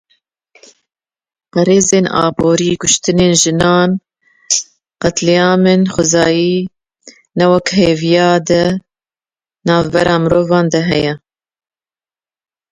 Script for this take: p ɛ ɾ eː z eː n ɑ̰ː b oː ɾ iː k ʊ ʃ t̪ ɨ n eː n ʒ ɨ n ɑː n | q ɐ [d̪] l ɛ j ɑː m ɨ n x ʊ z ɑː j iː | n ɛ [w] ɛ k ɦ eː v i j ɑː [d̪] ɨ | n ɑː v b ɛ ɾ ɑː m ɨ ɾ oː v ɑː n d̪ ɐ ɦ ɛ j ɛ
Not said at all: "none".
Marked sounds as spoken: t̪, w, d̪

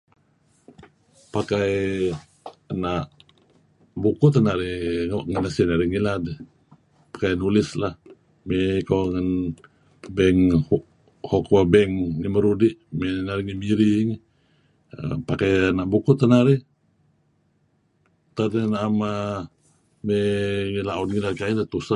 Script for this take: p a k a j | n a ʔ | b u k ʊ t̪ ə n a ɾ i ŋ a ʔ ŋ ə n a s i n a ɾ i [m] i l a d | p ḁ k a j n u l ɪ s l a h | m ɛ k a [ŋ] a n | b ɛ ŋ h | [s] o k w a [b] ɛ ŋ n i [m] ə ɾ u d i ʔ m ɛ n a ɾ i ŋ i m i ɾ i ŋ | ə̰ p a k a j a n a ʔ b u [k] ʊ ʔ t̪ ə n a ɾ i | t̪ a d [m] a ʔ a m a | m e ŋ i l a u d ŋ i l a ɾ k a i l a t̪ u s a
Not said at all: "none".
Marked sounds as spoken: ŋ, ŋ, h, b, m, k, n

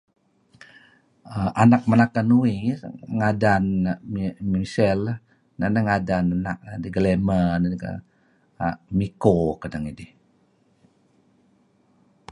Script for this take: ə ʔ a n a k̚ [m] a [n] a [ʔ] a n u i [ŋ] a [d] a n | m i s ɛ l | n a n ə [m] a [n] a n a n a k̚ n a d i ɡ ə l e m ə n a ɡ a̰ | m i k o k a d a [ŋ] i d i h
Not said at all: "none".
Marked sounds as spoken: m, n, k, ŋ, d, ŋ, d, ŋ

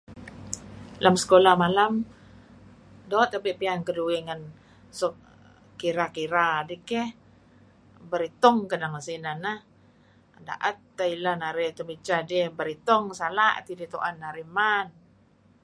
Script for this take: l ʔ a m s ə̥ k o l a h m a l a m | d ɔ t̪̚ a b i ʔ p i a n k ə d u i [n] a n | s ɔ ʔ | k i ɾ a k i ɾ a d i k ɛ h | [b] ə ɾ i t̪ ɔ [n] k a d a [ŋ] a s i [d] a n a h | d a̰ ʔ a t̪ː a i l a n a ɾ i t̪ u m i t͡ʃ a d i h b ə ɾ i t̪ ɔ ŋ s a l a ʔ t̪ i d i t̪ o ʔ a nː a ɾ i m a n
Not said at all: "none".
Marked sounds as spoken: ŋ, b, ŋ, ŋ, n

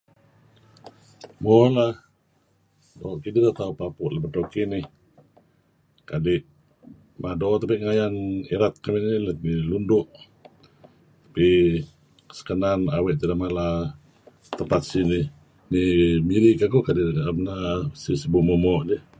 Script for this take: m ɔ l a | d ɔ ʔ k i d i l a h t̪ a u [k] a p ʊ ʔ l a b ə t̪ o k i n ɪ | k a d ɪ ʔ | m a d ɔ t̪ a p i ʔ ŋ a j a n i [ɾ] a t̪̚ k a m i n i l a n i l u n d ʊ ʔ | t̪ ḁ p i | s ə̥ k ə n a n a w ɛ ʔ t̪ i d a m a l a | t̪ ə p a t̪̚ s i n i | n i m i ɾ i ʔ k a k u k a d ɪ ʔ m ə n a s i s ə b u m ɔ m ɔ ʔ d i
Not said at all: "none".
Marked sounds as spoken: p, ɾ

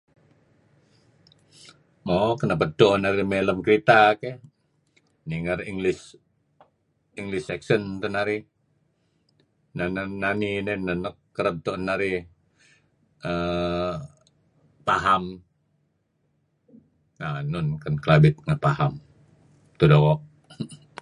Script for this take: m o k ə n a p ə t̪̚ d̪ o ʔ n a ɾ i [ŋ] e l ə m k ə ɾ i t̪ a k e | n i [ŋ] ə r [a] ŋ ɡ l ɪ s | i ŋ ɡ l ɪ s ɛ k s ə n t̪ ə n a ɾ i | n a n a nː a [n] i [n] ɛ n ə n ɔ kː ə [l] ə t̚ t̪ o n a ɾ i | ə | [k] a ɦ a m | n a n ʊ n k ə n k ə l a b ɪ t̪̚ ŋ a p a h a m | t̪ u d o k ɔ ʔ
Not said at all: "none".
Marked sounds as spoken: m, ŋ, i, n, n, ɾ, p

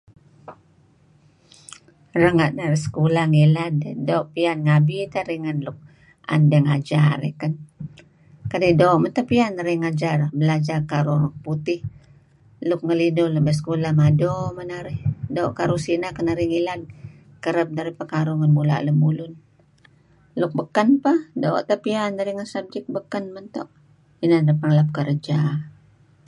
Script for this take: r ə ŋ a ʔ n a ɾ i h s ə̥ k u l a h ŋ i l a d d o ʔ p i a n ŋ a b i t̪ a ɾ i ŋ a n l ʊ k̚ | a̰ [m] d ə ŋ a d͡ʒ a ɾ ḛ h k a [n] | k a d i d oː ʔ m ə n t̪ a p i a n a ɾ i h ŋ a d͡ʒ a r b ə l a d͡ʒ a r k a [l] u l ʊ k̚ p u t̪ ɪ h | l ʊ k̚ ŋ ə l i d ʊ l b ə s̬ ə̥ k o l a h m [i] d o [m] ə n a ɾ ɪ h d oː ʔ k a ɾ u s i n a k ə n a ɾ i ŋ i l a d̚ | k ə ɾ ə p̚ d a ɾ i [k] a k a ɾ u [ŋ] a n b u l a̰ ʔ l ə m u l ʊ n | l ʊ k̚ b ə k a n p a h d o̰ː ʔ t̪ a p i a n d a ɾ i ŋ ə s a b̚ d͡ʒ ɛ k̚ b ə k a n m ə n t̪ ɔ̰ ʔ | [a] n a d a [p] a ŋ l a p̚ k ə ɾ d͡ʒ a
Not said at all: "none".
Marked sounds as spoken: n, n, ɾ, a, m, p, ŋ, i, p

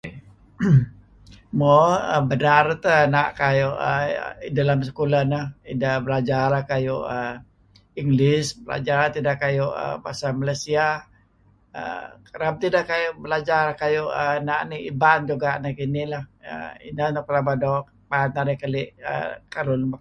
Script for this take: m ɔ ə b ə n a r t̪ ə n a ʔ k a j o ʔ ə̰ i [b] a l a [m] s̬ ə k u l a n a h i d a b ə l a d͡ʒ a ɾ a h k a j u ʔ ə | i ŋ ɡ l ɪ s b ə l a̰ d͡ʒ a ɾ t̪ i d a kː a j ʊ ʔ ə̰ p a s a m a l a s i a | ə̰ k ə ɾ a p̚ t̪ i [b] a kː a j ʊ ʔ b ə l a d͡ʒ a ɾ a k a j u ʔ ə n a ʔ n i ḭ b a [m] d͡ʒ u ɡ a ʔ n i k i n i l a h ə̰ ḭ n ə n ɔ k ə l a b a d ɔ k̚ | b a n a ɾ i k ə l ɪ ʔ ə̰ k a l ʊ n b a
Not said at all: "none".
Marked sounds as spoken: d, m, d, n

